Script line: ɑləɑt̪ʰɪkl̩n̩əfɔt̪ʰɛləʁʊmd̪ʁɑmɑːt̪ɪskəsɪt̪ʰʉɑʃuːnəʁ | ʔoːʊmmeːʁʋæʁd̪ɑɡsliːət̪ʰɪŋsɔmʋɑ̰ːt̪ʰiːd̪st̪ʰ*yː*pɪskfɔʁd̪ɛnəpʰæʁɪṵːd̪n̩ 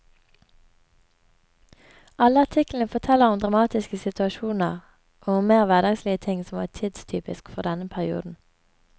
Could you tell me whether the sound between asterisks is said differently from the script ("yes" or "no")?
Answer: no